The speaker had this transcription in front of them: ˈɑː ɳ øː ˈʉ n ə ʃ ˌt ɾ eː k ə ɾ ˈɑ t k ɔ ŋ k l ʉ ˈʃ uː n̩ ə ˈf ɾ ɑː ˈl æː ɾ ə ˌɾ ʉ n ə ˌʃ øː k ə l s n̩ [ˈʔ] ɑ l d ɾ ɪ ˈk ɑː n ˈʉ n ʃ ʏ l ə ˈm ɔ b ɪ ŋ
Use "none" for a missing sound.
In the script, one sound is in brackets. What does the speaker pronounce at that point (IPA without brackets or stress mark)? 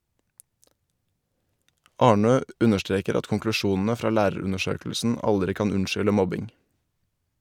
ʔ